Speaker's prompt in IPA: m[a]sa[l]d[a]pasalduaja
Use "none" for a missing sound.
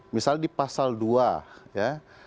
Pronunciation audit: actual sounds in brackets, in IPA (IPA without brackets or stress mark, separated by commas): i, l, i